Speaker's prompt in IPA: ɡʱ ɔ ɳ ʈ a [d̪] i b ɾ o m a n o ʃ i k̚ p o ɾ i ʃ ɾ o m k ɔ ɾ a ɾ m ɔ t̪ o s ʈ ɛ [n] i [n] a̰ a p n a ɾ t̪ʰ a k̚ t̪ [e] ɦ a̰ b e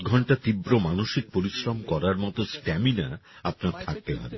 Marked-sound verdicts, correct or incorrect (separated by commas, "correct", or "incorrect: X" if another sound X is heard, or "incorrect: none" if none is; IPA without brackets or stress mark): incorrect: t̪, incorrect: m, correct, correct